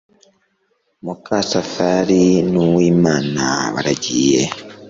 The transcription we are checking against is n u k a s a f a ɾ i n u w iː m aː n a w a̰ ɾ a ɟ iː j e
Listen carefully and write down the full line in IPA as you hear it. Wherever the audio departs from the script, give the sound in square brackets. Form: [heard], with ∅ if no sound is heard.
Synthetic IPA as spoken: [m] u k a s a f a ɾ i n u w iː m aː n a [β] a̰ ɾ a ɟ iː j e